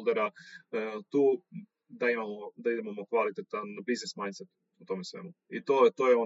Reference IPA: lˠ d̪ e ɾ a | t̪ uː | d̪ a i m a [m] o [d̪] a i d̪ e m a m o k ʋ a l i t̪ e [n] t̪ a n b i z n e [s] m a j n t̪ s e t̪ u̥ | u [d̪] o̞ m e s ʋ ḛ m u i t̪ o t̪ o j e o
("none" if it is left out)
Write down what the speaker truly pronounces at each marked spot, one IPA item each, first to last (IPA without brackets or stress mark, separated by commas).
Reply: m, d̪, none, s, t̪